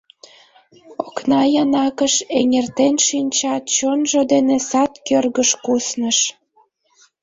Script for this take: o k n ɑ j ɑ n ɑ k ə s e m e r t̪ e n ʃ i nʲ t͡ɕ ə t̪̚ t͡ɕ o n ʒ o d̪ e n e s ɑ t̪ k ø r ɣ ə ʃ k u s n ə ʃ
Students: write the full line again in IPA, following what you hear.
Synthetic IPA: o k n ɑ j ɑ n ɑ k ə ʃ e ŋ e r t̪ e n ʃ i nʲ t͡ɕ ɑ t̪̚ t͡ɕ o n ʒ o d̪ e n e s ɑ t̪ k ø r ɣ ə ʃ k u s n ə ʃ